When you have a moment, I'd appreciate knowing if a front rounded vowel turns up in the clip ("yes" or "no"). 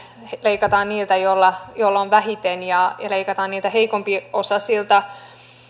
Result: no